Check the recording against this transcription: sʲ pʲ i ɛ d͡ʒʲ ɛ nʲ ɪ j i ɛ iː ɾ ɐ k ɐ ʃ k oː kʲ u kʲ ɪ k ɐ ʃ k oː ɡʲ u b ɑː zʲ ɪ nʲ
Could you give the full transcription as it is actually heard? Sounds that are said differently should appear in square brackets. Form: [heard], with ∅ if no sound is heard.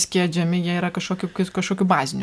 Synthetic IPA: sʲ [kʲ] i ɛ d͡ʒʲ ɛ [mʲ] ɪ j i ɛ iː ɾ ɐ k ɐ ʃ k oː kʲ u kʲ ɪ k ɐ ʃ k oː [kʲ] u b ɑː zʲ ɪ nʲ